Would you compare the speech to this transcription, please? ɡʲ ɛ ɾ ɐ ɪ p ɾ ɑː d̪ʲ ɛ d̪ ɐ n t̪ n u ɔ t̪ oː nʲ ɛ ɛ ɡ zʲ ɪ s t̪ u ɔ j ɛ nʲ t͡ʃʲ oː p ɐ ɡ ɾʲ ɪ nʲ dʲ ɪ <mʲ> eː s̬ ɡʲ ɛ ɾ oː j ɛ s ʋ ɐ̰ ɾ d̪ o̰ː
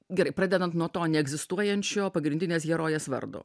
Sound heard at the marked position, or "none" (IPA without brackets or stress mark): nʲ